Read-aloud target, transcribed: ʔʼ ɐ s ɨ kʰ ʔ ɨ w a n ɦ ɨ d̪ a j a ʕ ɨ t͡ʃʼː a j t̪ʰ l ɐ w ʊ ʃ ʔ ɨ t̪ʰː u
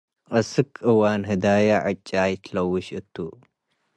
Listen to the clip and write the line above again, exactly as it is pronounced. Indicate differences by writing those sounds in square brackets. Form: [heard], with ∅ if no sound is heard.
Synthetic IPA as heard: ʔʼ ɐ s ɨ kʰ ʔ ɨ w a n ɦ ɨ d̪ a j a ʕ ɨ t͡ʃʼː a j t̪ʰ l ɐ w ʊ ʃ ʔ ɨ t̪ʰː u